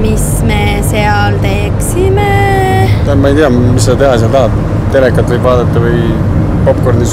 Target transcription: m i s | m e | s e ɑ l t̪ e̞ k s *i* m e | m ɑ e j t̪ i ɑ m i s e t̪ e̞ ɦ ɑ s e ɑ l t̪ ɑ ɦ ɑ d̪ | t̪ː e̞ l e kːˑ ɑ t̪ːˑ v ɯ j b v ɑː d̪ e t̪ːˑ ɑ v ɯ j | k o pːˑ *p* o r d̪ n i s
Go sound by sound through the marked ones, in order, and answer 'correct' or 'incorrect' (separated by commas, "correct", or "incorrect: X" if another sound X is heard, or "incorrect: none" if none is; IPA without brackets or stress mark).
correct, incorrect: k